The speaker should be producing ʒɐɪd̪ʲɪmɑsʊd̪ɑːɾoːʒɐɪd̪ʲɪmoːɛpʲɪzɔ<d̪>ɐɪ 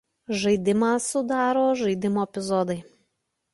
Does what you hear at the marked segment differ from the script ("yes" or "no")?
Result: no